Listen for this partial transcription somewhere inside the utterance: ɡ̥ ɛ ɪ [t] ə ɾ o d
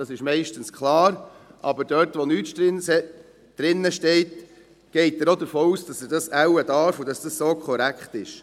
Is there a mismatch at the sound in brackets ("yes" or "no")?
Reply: no